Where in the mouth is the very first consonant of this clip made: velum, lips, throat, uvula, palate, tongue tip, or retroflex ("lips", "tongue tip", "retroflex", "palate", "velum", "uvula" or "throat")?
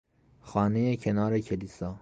velum